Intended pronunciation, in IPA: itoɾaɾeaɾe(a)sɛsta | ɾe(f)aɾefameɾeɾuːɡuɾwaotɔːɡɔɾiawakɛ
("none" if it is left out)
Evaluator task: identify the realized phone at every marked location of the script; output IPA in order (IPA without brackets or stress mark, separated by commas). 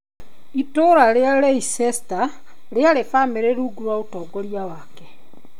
i, none